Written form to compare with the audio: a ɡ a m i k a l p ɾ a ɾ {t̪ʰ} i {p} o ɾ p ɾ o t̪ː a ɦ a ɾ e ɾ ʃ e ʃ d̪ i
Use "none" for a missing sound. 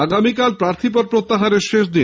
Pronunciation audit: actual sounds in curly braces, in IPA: t̪ʰ, p

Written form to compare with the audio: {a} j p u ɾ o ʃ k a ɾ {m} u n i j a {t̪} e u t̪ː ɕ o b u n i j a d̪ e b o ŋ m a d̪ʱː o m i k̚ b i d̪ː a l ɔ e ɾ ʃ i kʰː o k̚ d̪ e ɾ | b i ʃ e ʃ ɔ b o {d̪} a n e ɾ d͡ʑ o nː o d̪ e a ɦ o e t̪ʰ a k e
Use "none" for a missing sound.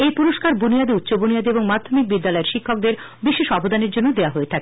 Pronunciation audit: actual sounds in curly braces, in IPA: e, b, d̪, d̪

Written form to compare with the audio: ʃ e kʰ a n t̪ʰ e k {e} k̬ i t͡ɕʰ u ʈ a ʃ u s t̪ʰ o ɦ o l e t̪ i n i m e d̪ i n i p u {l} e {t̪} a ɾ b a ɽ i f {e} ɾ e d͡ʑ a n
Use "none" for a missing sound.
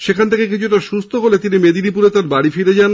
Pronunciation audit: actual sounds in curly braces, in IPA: e, ɾ, t̪, i

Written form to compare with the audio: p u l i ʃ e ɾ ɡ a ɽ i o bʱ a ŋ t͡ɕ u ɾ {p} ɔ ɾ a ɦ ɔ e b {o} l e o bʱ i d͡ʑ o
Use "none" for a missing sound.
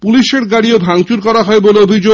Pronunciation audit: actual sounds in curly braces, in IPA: k, o

